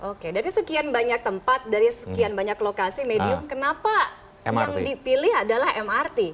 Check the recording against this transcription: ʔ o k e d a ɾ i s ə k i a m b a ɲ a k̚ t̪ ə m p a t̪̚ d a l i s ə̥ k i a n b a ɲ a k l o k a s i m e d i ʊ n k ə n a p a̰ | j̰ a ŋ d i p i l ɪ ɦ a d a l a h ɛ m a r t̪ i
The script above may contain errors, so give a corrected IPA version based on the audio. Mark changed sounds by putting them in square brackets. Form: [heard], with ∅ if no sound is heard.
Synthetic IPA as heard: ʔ o k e d a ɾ i s ə k i a [n] b a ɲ a k̚ t̪ ə m p a t̪̚ d a [ɾ] i s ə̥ k i a n b a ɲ a k l o k a s i m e d i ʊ [m] k ə n a p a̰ | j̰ a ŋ d i p i l ɪ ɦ a d a l a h ɛ m a r t̪ i